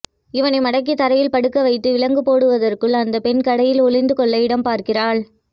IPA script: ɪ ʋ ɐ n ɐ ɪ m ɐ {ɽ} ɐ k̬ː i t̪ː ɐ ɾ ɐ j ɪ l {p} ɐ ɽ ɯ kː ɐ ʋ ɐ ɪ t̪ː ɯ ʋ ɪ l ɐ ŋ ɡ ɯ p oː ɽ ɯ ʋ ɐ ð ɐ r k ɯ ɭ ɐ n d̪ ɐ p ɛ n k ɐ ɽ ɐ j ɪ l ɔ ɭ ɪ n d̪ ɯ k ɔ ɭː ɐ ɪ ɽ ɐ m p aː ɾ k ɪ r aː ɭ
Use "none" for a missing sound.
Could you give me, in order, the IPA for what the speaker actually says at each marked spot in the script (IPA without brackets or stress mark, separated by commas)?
ɽ, p